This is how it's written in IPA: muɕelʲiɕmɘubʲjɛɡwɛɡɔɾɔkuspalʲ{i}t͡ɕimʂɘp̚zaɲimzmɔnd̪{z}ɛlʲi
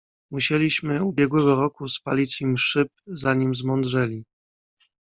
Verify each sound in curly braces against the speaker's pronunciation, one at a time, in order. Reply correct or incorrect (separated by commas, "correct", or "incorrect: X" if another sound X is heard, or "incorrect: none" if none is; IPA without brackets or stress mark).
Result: correct, incorrect: ʐ